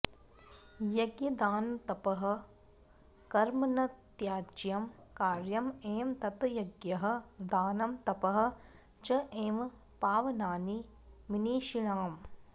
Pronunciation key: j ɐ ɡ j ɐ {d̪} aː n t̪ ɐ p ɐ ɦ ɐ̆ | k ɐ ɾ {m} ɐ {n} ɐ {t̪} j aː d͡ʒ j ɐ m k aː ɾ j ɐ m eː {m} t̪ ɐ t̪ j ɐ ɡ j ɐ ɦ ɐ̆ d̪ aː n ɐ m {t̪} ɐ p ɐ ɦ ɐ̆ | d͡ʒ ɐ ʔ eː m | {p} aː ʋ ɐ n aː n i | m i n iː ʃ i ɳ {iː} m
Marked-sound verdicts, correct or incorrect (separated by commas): correct, correct, correct, correct, correct, correct, correct, incorrect